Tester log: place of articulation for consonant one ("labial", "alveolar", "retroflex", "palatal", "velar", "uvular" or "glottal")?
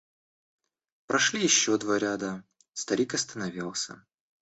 labial